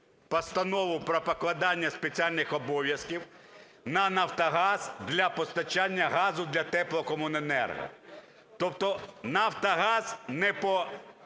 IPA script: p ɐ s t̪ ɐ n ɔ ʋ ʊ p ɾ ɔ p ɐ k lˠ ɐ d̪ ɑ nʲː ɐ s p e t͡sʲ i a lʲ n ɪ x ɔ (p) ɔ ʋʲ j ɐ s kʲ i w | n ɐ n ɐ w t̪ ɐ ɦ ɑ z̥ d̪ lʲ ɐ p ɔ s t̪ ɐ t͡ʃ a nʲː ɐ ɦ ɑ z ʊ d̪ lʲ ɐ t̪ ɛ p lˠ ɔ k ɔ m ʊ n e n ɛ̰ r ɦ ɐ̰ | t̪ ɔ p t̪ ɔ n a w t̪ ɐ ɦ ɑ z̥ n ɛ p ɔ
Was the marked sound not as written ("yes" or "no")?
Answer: yes